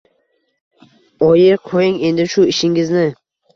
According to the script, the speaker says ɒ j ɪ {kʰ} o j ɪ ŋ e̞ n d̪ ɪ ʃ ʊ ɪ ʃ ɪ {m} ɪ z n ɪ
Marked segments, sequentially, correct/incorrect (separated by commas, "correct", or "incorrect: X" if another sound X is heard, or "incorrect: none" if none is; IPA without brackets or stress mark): incorrect: qʰ, incorrect: ŋ